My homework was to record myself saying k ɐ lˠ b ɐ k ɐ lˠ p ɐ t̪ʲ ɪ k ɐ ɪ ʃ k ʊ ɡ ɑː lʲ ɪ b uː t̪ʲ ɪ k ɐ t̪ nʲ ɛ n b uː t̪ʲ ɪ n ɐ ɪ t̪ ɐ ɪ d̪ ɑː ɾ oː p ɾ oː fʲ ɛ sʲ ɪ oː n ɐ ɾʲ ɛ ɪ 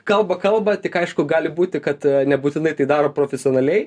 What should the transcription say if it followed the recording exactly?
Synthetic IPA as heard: k ɐ lˠ b ɐ k ɐ lˠ b ɐ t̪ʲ ɪ k ɐ ɪ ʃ k ʊ ɡ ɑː lʲ ɪ b uː t̪ʲ ɪ k ɐ t̪ nʲ ɛ b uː t̪ʲ ɪ n ɐ ɪ t̪ ɐ ɪ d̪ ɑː ɾ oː p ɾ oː fʲ ɛ sʲ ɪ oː n ɐ lʲ ɛ ɪ